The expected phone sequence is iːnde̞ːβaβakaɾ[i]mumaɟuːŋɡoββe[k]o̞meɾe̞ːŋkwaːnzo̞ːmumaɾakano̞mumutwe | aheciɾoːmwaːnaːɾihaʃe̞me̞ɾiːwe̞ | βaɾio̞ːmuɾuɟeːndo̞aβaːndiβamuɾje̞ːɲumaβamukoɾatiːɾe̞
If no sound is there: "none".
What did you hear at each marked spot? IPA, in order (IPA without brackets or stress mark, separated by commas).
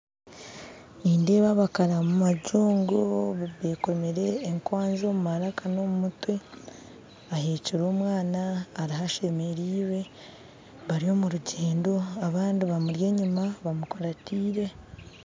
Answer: a, k